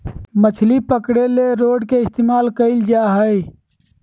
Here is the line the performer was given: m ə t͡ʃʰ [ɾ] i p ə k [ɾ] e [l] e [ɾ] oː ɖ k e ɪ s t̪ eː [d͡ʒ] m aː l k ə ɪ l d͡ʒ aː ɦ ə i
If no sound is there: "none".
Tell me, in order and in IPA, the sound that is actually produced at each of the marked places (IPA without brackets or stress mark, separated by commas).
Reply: l, ɽ, l, ɾ, none